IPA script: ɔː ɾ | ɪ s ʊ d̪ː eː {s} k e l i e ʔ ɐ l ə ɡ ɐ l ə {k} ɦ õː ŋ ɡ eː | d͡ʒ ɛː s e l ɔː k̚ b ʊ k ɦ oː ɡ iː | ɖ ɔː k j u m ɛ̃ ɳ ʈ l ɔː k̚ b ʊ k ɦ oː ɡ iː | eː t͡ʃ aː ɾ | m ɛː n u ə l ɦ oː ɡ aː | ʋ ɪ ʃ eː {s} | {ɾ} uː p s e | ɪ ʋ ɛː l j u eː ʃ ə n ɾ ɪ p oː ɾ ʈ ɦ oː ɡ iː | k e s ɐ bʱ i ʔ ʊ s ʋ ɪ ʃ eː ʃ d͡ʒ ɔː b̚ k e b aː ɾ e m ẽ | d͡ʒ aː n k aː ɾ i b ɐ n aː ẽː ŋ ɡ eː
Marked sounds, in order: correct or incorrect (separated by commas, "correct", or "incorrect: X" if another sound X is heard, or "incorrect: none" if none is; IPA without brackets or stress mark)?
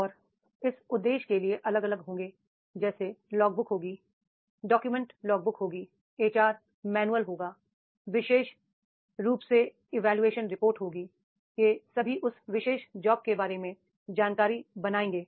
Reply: incorrect: ʃ, incorrect: ɡ, incorrect: ʃ, correct